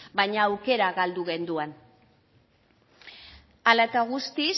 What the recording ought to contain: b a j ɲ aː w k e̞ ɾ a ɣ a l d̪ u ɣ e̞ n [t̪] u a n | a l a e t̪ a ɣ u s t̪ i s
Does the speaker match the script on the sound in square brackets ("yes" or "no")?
no